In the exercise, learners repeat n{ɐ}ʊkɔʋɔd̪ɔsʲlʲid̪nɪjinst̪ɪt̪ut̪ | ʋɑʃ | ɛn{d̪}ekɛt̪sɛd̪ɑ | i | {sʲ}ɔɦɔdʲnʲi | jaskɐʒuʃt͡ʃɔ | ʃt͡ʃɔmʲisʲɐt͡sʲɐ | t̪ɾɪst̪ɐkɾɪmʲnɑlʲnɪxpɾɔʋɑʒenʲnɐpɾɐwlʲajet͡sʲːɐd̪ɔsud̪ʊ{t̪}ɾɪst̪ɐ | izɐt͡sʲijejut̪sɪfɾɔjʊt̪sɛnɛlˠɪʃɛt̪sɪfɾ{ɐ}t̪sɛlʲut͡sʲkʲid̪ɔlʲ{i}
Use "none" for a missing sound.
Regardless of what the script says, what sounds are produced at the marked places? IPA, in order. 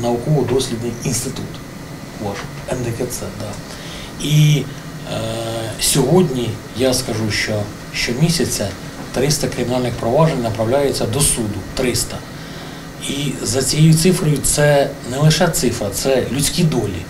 ɐ, d̪, sʲ, t̪, ɐ, i

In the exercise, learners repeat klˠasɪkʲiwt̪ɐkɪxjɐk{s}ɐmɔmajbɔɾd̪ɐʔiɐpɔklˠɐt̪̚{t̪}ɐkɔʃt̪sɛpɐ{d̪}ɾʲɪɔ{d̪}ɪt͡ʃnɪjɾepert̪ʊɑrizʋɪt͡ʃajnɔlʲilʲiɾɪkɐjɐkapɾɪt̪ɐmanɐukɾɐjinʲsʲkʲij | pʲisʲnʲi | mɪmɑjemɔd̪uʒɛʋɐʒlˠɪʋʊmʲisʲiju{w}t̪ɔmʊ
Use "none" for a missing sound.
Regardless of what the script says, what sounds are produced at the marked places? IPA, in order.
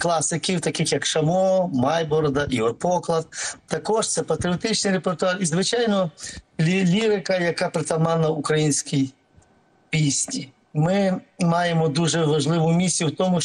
ʃ, t̪, t̪, t̪, w

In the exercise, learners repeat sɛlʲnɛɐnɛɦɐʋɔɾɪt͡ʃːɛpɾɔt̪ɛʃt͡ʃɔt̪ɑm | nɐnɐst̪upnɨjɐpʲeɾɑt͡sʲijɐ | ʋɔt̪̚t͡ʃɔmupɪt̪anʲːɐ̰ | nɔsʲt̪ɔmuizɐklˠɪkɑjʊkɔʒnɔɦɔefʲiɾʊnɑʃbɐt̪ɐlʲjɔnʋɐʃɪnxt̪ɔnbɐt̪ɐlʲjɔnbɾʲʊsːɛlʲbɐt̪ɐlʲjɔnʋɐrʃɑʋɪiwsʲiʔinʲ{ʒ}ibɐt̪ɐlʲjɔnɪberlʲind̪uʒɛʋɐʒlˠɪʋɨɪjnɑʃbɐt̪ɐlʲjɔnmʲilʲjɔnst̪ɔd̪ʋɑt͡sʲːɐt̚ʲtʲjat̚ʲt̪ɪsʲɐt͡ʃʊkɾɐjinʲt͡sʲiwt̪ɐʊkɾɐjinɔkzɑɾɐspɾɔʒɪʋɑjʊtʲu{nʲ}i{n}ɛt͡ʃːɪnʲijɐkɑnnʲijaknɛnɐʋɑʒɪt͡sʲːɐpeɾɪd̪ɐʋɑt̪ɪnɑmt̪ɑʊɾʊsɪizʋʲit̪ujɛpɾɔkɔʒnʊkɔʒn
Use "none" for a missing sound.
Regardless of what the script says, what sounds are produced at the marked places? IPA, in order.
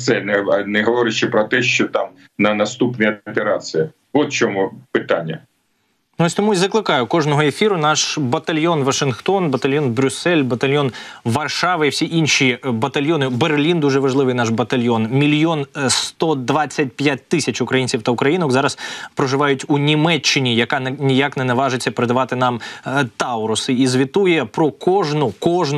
ʃ, nʲ, m

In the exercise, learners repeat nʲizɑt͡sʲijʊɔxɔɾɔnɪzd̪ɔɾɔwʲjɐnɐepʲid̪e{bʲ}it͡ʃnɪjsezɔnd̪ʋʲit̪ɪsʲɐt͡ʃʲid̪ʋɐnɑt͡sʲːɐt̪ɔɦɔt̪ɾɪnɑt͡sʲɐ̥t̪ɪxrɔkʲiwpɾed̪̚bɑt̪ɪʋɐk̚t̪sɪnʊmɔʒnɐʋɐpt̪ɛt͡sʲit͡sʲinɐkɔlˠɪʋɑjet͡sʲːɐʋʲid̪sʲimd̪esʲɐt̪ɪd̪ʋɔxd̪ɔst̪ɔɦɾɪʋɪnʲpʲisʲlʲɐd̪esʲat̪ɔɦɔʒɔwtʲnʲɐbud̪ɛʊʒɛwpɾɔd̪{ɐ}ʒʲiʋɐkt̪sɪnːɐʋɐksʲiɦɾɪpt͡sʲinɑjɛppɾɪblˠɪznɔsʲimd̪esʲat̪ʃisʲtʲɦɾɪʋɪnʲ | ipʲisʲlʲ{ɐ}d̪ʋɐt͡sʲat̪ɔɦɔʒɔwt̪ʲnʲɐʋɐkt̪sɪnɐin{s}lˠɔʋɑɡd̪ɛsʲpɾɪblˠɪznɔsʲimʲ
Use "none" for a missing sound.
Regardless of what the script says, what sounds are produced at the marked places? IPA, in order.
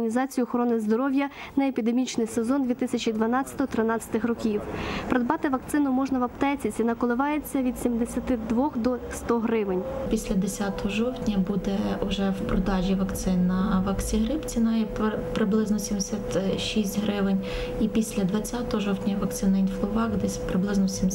mʲ, ɑ, ɐ, f

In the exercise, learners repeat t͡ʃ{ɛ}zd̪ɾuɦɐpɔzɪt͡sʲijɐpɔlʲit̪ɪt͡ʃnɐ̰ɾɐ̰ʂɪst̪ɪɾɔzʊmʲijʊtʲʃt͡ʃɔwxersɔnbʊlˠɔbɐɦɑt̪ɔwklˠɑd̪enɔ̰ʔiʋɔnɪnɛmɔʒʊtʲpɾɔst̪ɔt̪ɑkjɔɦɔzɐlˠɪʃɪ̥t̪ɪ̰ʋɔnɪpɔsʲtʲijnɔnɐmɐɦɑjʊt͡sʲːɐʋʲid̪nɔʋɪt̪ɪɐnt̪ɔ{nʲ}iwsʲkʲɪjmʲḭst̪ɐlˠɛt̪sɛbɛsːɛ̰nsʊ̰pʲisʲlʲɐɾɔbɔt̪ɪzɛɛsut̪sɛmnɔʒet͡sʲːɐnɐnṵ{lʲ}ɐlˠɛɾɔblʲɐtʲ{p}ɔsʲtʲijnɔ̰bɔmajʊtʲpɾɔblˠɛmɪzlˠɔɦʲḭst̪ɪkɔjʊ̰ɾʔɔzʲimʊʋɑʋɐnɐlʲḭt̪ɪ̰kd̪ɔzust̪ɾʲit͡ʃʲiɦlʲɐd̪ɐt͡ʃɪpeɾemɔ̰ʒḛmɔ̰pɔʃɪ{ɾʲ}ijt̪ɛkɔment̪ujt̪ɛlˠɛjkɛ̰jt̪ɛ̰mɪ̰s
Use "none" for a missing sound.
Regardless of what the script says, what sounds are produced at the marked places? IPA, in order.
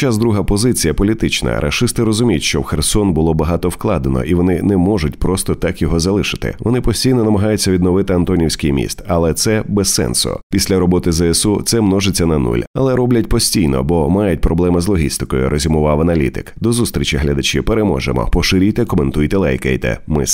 a, nʲ, lʲ, p, ɾʲ

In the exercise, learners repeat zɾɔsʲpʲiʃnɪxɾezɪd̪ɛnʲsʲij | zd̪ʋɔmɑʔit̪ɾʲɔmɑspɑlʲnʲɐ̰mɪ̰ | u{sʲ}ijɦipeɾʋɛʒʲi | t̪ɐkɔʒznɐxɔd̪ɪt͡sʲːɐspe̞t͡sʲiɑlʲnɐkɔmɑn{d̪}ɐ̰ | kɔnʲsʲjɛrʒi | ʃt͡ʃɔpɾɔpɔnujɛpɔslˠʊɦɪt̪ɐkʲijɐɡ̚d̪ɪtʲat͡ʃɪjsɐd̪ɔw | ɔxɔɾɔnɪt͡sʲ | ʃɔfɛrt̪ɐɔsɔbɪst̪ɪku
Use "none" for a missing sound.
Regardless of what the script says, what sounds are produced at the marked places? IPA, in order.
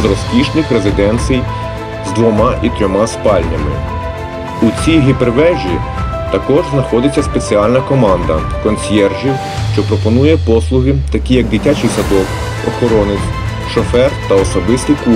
t͡sʲ, d̪

